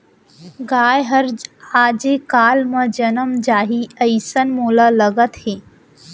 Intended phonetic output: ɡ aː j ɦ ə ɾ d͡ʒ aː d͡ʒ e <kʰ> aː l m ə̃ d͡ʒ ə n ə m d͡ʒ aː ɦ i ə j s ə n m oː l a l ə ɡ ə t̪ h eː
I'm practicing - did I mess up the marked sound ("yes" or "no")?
yes